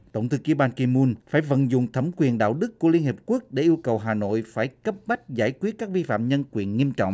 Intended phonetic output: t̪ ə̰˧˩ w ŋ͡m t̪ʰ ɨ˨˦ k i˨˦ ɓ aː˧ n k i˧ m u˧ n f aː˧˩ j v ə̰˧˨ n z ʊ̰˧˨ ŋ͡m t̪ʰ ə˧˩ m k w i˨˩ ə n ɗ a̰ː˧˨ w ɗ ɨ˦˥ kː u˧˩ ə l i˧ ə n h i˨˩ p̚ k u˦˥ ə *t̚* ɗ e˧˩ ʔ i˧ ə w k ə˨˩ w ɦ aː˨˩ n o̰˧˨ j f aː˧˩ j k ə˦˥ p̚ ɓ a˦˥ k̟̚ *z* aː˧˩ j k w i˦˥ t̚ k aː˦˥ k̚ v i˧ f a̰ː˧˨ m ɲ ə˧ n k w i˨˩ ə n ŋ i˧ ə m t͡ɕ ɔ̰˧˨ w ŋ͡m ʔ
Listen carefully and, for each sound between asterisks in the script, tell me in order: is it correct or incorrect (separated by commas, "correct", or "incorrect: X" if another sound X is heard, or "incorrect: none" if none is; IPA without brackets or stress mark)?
incorrect: k̚, correct